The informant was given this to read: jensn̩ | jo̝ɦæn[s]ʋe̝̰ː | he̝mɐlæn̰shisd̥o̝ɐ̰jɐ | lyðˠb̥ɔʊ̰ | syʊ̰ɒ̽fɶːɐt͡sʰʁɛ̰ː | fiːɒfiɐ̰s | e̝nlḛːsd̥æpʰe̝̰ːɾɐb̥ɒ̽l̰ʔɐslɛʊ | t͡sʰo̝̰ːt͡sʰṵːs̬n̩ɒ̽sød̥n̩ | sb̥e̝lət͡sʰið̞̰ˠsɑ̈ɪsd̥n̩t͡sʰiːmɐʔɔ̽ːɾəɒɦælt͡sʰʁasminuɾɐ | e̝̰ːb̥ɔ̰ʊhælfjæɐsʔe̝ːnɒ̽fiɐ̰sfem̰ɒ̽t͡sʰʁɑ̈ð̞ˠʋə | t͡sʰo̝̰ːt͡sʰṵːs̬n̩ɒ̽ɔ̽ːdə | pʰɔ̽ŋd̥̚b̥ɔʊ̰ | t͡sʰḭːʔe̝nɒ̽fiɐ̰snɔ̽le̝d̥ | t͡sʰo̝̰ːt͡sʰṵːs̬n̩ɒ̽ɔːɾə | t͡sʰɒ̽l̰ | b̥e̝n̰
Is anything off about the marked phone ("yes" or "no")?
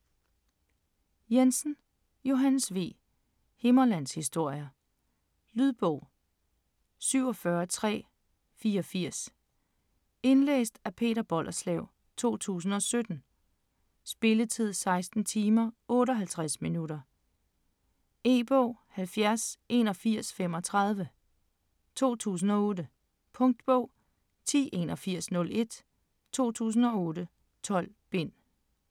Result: no